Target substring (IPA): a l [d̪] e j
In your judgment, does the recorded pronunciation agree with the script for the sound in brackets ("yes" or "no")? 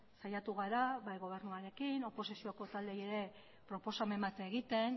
yes